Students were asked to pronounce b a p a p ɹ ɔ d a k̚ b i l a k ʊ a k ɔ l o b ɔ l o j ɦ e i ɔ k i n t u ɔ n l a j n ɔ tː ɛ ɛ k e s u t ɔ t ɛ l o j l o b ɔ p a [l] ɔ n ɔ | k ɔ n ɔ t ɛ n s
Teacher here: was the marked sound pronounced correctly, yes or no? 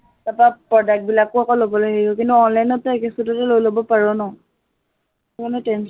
no